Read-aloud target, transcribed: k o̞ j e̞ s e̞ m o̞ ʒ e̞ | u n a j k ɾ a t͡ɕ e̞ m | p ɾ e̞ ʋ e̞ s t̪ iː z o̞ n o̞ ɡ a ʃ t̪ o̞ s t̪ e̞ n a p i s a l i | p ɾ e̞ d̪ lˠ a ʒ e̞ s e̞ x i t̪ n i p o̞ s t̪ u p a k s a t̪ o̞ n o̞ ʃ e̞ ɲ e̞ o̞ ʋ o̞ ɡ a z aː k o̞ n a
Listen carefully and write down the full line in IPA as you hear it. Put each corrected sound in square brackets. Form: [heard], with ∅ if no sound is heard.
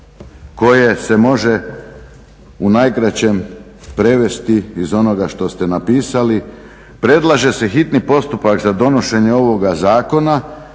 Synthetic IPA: k o̞ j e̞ s e̞ m o̞ ʒ e̞ | u n a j k ɾ a t͡ɕ e̞ m | p ɾ e̞ ʋ e̞ s t̪ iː z o̞ n o̞ ɡ a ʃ t̪ o̞ s t̪ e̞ n a p [iː] s a l i | p ɾ e̞ d̪ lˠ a ʒ e̞ s e̞ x i t̪ n i p o̞ s t̪ u p a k [z] a [d̪] o̞ n o̞ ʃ e̞ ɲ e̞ o̞ ʋ o̞ ɡ a z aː k o̞ n a